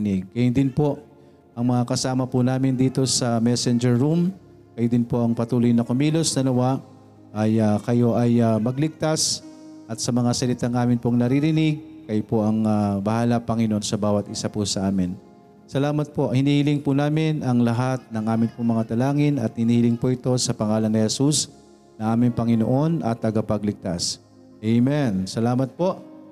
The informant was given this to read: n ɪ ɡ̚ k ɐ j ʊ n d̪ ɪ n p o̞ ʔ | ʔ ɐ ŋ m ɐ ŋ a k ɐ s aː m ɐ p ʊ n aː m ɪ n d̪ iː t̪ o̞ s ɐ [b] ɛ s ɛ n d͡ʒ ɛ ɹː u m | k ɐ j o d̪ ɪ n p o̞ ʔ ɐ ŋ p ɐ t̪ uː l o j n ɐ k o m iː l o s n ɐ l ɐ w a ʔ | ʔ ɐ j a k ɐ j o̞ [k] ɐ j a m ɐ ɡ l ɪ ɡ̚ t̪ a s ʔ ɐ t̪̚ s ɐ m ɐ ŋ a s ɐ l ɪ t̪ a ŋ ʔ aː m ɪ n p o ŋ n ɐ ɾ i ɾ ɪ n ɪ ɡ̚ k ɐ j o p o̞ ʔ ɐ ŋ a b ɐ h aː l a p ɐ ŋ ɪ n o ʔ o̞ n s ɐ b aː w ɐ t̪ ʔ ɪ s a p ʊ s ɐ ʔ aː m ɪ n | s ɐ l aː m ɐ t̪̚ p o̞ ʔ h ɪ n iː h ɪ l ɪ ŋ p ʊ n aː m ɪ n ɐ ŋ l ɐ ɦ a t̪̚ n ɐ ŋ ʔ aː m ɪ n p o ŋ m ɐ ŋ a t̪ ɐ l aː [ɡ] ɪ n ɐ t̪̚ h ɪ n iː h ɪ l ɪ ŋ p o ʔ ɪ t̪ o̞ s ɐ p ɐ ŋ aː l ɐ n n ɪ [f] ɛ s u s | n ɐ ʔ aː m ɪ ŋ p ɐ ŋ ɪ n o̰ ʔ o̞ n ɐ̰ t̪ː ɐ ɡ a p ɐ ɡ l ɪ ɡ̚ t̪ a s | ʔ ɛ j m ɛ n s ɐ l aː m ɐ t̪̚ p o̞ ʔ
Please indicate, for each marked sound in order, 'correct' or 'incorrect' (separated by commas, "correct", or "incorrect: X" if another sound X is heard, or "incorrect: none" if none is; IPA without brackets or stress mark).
incorrect: m, incorrect: ʔ, incorrect: ŋ, incorrect: h